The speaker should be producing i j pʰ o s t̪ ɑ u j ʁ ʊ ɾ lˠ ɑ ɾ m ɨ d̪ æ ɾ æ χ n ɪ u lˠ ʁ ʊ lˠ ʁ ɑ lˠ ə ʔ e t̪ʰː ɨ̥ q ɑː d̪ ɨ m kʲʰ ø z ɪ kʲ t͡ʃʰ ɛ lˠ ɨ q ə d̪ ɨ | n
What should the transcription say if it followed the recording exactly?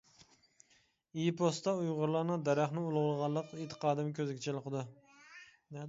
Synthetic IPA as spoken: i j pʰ o s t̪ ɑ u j ʁ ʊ ɾ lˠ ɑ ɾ n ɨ d̪ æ ɾ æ χ n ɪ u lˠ ʁ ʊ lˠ ʁ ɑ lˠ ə q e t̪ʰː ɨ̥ q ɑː d̪ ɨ m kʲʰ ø z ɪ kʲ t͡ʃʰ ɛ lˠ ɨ q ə d̪ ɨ | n